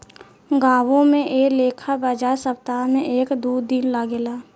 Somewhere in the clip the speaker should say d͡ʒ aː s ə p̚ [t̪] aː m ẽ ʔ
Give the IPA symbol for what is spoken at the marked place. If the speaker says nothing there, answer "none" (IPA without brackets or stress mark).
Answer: t̪